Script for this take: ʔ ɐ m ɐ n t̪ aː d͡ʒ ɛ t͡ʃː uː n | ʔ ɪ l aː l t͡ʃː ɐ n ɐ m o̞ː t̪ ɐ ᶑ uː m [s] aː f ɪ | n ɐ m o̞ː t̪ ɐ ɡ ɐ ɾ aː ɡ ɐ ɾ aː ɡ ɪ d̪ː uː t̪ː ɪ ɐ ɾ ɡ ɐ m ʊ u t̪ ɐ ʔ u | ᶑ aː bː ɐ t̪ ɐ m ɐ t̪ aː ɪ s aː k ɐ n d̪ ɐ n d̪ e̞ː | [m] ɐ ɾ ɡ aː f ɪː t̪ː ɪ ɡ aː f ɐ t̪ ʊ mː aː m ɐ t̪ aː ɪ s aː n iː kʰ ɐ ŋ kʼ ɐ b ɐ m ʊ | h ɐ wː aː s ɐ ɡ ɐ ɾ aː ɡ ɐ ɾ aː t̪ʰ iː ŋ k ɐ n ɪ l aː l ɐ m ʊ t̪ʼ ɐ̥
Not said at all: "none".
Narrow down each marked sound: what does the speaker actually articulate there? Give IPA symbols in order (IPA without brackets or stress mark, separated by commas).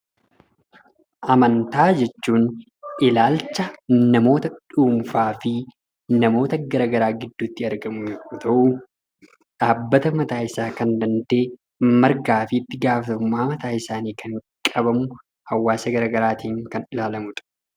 f, m